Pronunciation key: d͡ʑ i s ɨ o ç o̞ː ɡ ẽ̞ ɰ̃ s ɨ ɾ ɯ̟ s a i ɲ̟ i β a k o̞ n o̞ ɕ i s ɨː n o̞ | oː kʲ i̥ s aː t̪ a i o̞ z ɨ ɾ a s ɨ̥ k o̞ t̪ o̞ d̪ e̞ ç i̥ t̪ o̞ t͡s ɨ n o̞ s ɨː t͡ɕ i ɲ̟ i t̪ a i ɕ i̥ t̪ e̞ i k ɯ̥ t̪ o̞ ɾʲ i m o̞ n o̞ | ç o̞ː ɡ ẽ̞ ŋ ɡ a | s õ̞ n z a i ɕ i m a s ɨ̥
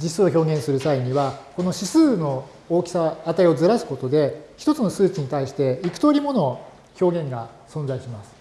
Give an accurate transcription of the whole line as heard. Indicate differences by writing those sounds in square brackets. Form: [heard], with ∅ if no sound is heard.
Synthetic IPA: d͡ʑ i s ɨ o ç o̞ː ɡ ẽ̞ ɰ̃ s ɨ ɾ ɯ̟ s a i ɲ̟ i β a k o̞ n o̞ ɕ i s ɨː n o̞ | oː kʲ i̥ s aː t̪ a i o̞ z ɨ ɾ a s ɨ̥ k o̞ t̪ o̞ d̪ e̞ ç i̥ t̪ o̞ t͡s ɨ n o̞ s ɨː t͡ɕ i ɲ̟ i t̪ a i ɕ i̥ t̪ e̞ i k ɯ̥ t̪ o̞ ɾʲ i m o̞ n o̞ | ç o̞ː ɡ ẽ̞ ŋ ɡ a | s õ̞ n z a i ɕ i m a s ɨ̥